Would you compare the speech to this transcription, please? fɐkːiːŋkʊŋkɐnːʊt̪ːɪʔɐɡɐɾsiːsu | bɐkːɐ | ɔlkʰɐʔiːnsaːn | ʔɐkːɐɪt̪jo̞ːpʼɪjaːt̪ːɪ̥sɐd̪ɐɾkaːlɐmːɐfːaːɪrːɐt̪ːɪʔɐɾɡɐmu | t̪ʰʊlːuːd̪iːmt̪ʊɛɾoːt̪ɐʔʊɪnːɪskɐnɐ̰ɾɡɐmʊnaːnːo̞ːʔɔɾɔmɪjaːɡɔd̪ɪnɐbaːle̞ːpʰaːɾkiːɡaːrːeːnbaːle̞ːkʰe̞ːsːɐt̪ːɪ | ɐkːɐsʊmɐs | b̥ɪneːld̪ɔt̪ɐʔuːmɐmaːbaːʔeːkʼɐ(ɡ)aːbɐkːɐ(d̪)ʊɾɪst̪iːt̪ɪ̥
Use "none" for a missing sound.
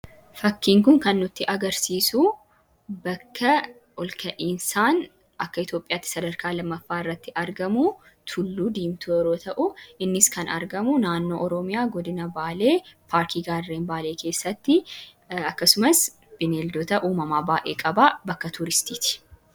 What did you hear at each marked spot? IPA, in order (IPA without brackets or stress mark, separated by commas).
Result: b, t̪